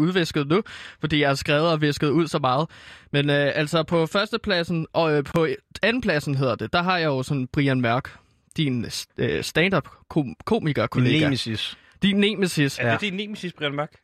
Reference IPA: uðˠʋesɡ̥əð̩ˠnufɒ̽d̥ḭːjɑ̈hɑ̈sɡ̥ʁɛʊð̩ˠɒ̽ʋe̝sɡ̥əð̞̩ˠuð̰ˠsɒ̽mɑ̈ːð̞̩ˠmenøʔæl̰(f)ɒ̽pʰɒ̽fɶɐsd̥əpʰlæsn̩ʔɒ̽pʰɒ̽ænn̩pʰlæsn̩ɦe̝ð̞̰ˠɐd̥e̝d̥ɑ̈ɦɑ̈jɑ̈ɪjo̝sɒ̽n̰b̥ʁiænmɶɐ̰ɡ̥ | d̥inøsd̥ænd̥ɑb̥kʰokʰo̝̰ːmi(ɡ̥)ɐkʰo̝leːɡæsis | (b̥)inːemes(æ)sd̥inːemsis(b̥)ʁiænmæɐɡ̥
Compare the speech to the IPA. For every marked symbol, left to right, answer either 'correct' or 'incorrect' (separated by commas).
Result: incorrect, correct, incorrect, incorrect, correct